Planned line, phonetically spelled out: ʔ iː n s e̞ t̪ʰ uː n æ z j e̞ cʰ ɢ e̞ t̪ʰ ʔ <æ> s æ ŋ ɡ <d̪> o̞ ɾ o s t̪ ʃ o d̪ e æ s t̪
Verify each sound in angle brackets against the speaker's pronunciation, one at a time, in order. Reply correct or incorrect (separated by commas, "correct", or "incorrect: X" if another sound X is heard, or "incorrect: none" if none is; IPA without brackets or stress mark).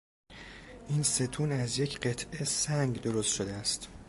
incorrect: e, correct